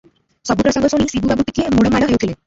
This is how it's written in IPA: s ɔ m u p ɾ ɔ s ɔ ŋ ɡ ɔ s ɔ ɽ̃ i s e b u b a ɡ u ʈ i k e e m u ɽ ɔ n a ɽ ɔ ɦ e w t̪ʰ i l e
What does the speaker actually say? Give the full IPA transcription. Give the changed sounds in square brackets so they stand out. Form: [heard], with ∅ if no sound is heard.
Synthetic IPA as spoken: s ɔ [b] u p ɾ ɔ s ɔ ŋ ɡ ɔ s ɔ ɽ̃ i s [i] b u b a [b] u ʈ i k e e m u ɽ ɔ [m] a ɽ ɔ ɦ e w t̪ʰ i l e